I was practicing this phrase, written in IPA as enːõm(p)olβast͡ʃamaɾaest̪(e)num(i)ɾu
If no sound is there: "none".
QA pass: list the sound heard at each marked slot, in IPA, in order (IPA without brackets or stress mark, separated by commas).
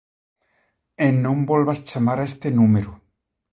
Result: b, e, e